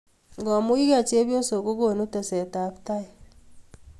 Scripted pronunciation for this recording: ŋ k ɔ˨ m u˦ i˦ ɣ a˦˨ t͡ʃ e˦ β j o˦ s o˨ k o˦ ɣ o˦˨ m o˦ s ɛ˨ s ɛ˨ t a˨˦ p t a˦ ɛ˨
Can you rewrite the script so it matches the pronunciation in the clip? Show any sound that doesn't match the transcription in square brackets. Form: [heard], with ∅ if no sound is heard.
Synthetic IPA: ŋ [ɡ] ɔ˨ m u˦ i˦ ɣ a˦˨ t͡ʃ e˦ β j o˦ s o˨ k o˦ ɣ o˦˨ [n] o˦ [t] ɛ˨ s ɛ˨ t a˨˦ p t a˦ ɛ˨